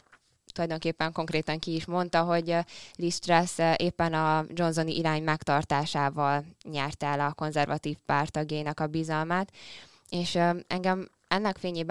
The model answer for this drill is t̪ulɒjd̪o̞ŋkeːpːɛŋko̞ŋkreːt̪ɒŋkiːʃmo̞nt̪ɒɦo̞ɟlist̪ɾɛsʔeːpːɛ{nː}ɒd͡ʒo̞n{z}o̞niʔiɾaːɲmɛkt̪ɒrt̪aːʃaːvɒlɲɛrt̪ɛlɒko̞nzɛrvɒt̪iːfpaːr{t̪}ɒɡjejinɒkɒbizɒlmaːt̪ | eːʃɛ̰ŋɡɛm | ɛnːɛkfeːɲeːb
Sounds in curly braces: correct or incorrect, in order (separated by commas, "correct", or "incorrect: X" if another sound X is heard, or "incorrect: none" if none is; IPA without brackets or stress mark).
incorrect: n, correct, correct